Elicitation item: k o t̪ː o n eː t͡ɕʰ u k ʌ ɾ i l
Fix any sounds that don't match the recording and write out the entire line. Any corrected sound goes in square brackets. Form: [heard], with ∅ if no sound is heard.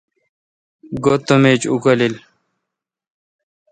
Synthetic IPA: [ɡ] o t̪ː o [m] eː [t͡ɕ] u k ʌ [l] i l